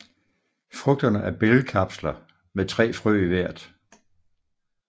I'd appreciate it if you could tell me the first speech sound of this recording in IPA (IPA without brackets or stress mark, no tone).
f